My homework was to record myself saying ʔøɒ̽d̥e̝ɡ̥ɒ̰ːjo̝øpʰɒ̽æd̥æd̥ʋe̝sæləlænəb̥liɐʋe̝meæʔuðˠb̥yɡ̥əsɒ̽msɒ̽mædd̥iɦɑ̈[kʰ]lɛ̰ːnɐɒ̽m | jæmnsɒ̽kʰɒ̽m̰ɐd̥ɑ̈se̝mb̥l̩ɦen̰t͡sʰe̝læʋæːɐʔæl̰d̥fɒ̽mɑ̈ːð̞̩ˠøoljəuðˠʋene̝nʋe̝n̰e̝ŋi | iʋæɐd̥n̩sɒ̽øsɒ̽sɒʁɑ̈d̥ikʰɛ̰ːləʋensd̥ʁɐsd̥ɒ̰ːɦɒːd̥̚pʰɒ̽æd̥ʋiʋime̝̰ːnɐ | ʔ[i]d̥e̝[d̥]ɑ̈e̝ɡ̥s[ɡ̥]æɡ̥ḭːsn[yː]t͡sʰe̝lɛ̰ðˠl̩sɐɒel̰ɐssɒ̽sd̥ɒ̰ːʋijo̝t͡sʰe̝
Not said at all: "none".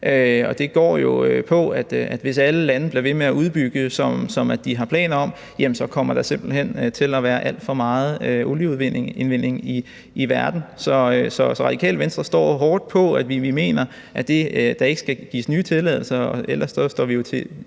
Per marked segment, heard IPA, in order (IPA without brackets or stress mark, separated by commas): pʰ, æ, d̥, ɡ̥, yː